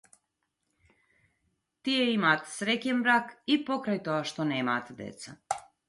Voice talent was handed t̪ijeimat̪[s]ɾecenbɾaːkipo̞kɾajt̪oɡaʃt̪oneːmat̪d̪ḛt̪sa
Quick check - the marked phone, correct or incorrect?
correct